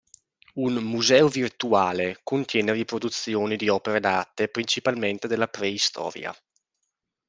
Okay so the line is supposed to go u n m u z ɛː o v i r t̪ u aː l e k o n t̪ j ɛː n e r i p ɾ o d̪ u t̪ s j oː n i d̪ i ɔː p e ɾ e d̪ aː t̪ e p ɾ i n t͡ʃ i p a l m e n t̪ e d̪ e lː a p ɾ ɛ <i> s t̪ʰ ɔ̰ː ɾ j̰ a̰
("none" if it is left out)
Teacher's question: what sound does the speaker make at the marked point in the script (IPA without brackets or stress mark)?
i